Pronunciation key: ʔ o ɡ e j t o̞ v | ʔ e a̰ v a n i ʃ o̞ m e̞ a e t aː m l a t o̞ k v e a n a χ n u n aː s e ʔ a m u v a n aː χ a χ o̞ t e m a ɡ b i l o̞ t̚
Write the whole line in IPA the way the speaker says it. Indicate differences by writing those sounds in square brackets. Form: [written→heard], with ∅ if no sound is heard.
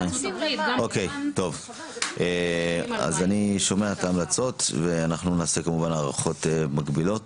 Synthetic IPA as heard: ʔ o [ɡ→k] e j t o̞ v | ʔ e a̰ [v→z] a n i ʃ o̞ m e̞ a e t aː m l a [t→t͡s] o̞ [k→t] v e a n a χ n u n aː s e [ʔ→k] a m u v a n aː [χ→ʁ] a χ o̞ t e m a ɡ b i l o̞ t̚